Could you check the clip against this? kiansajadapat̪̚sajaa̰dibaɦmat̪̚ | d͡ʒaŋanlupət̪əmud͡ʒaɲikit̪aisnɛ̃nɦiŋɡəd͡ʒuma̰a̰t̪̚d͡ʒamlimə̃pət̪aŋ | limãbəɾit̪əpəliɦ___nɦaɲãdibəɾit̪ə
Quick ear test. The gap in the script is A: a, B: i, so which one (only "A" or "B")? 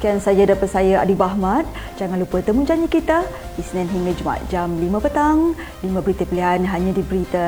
A